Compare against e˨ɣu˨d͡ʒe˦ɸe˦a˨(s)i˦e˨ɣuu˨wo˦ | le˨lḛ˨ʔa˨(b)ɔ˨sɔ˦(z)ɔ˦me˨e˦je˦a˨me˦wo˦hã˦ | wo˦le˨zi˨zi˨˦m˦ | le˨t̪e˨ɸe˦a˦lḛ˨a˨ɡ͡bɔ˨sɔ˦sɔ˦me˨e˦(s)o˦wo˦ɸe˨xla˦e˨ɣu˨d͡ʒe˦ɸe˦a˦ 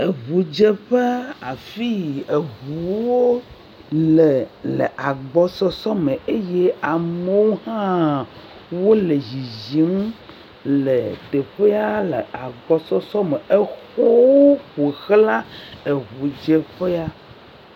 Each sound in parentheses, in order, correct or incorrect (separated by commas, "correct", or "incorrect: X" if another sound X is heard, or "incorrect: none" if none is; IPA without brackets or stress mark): incorrect: f, incorrect: ɡ͡b, incorrect: s, incorrect: x